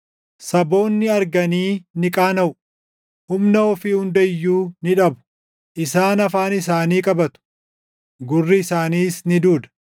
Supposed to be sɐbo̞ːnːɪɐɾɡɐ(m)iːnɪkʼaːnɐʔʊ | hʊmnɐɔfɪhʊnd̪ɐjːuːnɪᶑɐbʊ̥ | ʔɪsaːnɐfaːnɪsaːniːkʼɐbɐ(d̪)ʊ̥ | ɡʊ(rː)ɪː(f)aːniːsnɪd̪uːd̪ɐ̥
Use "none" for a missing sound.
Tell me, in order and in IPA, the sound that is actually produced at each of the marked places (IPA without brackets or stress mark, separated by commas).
n, t̪, rː, s